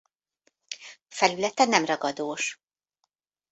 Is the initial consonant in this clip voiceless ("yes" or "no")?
yes